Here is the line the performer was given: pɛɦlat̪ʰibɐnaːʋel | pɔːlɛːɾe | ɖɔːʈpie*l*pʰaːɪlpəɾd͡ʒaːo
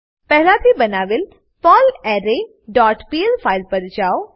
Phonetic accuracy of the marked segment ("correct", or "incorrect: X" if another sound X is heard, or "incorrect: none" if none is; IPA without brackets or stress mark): correct